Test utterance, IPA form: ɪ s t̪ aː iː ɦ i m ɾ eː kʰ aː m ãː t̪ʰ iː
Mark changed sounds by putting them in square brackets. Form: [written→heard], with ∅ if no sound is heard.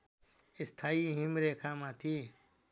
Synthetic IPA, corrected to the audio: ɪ s [t̪→t̪ʰ] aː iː ɦ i m ɾ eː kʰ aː m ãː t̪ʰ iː